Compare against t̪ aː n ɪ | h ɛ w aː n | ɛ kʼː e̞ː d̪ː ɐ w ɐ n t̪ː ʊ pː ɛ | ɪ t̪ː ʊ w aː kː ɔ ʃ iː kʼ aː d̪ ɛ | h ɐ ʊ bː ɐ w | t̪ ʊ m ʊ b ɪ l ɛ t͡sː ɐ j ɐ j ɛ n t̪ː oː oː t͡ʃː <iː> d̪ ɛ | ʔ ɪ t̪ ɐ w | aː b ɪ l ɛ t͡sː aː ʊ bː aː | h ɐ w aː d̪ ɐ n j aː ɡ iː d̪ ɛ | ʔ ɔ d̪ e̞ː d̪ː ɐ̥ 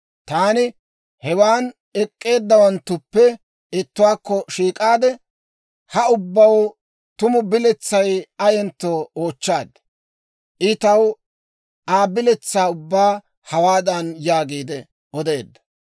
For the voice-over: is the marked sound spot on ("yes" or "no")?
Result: no